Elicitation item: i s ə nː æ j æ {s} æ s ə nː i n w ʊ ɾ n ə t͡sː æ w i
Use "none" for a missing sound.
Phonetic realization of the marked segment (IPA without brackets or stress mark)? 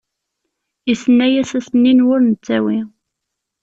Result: s